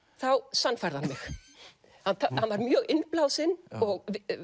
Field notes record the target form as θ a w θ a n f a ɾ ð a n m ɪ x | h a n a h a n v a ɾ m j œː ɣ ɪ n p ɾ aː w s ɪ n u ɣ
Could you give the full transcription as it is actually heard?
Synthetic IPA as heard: θ a w s a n f a ɾ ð a n m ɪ x | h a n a h a n v a ɾ m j œː ɣ ɪ n p l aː w s ɪ n ɔ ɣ

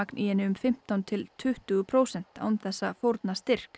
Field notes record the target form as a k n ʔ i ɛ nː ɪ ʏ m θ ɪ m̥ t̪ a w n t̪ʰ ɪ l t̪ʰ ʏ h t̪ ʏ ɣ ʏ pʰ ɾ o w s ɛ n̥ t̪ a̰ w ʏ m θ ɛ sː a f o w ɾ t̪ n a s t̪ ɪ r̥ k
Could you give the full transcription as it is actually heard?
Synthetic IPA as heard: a k n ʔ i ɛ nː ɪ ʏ m f ɪ m̥ t̪ a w n t̪ʰ ɪ l t̪ʰ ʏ h t̪ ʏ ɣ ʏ pʰ ɾ o w s ɛ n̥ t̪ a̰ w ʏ m θ ɛ sː a f o w ɾ t̪ n a s t̪ ɪ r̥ k

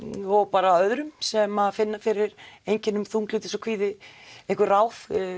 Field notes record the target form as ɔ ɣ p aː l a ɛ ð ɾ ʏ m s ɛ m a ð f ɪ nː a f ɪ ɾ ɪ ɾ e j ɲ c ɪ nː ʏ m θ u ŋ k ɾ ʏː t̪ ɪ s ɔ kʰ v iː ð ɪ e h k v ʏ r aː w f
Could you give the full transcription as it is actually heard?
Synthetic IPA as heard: ɔ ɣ p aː ɾ a œ ð ɾ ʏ m s ɛ m a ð f ɪ nː a f ɪ ɾ ɪ ɾ e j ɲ c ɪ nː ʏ m θ u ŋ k l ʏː t̪ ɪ s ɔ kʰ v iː ð ɪ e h k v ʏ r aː w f

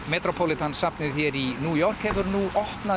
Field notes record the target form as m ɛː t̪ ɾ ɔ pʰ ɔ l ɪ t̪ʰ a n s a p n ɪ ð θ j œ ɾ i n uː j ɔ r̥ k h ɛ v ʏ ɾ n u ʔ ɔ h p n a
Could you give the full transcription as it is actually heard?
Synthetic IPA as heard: m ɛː t̪ ɾ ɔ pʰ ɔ l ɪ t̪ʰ a n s a p n ɪ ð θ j ɛ ɾ i n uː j ɔ r̥ k h ɛ v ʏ ɾ n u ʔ ɔ h p n a

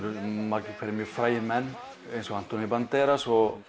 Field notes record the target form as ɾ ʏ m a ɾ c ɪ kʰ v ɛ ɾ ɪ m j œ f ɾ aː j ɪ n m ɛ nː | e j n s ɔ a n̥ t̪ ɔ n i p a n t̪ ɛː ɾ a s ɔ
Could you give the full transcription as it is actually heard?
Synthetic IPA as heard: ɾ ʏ m a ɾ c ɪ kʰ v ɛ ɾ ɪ m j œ f ɾ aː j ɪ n m ɛ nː | e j n s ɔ a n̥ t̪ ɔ n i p a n t̪ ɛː ɾ a s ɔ

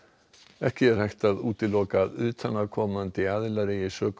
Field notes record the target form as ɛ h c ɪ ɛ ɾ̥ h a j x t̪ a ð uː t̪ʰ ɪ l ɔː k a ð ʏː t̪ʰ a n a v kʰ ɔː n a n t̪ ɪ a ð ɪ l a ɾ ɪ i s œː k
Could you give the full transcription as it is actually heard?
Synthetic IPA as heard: ɛ h c ɪ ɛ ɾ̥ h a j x t̪ a ð uː t̪ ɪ l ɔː k a ð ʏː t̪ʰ a n a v kʰ ɔː m a n t̪ ɪ a ð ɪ l a ɾ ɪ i s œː k

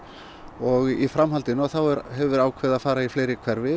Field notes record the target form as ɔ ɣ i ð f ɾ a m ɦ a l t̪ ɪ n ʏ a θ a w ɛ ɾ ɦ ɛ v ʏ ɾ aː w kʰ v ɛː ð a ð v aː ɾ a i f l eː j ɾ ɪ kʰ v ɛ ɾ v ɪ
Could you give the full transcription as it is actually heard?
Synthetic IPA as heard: ɔ ɣ i f ɾ a m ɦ a l t̪ ɪ n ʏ a θ a w ɛ ɾ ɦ ɛ v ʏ ɾ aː w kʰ v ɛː ð a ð f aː ɾ a i f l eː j ɾ ɪ kʰ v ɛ ɾ v ɪ

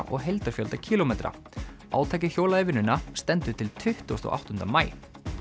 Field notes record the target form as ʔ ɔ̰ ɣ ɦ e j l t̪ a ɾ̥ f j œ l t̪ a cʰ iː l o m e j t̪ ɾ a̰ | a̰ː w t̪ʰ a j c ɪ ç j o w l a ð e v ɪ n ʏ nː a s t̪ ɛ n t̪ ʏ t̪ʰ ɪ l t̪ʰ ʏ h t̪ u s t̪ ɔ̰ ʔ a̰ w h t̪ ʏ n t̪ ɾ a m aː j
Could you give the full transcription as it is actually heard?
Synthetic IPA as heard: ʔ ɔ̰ ɣ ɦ e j l t̪ a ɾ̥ f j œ l t̪ a cʰ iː l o m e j t̪ ɾ a̰ | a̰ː w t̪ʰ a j c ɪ ç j o w l a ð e v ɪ n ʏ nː a s t̪ ɛ n t̪ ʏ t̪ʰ ɪ l t̪ʰ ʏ h t̪ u s t̪ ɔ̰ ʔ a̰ w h t̪ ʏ n t̪ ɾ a m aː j

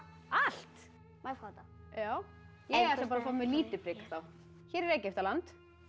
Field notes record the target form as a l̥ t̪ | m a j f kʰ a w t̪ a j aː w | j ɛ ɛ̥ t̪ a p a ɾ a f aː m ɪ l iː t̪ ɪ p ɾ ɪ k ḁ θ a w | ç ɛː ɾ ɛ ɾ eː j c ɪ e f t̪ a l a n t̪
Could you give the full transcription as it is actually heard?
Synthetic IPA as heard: a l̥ t̪ | m a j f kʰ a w t̪ a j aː w | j ɛ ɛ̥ t̪ a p a ɾ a f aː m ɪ l iː t̪ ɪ p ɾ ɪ k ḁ θ a w | ç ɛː ɾ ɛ ɾ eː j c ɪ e f t̪ a l a n t̪

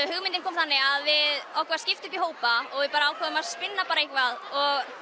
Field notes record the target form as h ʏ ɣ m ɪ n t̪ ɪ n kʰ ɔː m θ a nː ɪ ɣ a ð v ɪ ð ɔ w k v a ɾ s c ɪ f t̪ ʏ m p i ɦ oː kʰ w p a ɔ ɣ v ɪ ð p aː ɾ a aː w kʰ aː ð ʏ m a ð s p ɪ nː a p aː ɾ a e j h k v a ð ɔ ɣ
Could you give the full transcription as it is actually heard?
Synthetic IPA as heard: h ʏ ɣ m ɪ n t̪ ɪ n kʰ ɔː m θ a nː ɪ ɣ a ð v ɪ ð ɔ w k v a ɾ s c ɪ f t̪ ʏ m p i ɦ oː w p a ɔ ɣ v ɪ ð p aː ɾ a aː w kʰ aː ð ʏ m a ð s p ɪ nː a p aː ɾ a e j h k v a ð ɔ ɣ

